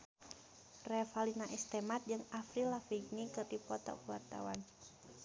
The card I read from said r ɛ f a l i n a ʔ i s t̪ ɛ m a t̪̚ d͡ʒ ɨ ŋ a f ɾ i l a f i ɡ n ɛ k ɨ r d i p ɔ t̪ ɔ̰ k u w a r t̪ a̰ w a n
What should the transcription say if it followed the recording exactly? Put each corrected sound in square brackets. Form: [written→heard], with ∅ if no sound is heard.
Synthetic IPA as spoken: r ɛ f a l i n a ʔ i s t̪ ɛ m a t̪̚ d͡ʒ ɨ ŋ a f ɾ i l a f i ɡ n [ɛ→i] k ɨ r d i p ɔ t̪ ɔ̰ k u w a r t̪ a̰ w a n